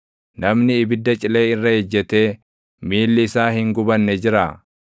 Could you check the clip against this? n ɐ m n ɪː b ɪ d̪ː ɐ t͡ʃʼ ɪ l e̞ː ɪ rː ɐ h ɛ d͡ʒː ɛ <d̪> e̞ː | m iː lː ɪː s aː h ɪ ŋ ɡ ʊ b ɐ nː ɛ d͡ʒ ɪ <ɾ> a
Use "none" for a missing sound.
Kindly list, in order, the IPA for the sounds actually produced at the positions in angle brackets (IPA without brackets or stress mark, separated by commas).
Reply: t̪, ɾ